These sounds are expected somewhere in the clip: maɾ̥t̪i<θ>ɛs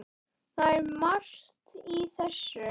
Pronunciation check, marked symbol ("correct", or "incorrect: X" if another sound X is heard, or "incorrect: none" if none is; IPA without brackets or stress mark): correct